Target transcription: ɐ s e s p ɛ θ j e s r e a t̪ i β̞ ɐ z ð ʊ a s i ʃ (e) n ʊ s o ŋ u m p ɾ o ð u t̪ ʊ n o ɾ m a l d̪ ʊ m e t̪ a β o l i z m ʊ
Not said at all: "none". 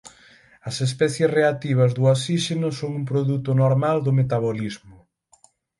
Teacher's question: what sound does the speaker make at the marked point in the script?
e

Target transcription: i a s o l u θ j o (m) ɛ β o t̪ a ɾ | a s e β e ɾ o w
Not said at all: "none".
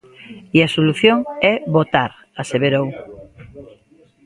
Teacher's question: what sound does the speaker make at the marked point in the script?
ŋ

